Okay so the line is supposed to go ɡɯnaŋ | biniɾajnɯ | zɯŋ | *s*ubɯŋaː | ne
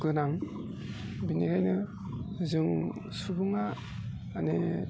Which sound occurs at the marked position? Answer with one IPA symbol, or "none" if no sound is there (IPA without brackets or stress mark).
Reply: s